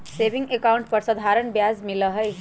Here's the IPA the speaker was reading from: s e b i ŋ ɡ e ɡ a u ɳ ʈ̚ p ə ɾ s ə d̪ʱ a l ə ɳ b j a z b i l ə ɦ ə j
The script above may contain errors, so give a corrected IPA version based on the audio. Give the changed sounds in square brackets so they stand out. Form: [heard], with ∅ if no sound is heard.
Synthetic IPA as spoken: s e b i ŋ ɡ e [k] a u ɳ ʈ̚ p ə ɾ s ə d̪ʱ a [ɾ] ə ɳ b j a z [m] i l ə ɦ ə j